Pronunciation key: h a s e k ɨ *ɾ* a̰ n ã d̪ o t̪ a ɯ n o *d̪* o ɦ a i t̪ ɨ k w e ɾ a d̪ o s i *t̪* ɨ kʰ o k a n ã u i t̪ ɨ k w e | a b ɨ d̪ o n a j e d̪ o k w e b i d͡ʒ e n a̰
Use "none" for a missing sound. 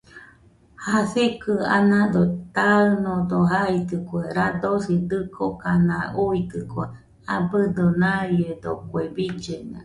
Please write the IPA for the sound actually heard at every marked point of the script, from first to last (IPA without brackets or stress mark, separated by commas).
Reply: none, d̪, d̪